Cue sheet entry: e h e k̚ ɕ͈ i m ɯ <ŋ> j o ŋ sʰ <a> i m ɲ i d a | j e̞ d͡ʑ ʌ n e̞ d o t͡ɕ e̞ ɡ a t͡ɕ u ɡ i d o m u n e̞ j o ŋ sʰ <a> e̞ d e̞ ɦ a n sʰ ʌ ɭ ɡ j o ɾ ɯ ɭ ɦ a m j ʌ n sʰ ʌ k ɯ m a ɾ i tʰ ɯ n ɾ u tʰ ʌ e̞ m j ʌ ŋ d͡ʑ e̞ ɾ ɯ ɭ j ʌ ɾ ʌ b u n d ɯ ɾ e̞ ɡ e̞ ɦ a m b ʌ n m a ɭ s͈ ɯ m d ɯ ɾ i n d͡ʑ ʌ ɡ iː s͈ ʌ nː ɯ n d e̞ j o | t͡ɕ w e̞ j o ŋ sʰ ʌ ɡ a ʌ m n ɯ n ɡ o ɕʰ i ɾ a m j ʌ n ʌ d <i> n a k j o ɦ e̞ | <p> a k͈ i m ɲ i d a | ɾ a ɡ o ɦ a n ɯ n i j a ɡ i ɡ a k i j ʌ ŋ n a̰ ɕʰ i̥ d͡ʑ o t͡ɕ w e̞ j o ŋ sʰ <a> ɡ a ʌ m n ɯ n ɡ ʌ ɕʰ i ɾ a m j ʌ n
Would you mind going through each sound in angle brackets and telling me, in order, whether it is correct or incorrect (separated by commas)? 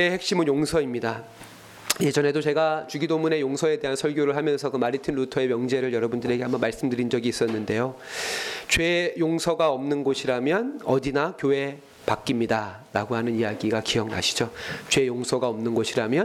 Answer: incorrect, incorrect, incorrect, correct, correct, incorrect